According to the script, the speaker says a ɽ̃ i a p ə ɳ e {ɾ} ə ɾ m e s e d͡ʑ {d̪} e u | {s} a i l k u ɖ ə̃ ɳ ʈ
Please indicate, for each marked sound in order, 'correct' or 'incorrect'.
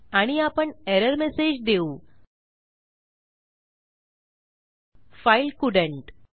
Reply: correct, correct, incorrect

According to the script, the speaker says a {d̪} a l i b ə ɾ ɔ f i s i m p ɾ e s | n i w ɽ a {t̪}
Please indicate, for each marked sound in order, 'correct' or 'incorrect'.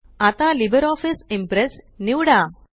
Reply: incorrect, incorrect

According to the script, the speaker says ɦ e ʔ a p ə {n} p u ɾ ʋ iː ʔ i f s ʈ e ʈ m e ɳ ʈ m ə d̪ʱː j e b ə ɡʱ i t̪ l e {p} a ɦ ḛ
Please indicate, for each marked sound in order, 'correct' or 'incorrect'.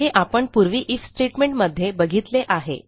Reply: incorrect, incorrect

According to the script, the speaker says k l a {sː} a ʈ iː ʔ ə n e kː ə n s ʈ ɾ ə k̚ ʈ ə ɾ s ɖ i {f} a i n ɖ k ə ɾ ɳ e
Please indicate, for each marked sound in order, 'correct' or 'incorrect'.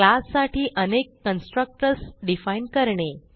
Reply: correct, correct

